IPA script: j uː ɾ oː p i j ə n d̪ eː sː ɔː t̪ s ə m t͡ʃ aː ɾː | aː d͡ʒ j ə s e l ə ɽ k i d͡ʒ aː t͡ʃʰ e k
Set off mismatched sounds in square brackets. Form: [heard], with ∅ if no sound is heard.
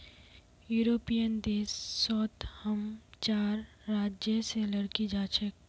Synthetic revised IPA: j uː ɾ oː p i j ə n d̪ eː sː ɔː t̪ [h] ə m t͡ʃ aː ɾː | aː d͡ʒ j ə s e l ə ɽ k i d͡ʒ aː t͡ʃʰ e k